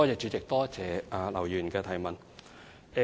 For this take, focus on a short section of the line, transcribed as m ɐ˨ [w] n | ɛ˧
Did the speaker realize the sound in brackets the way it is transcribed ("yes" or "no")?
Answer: no